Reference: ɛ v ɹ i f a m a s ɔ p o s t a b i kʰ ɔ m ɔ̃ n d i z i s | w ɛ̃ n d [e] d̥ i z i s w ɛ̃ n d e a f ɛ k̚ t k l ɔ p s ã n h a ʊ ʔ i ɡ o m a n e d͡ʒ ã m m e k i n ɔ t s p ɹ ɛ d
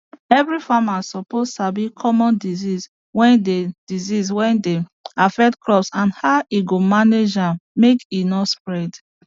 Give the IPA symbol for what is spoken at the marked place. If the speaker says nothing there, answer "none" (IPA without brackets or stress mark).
e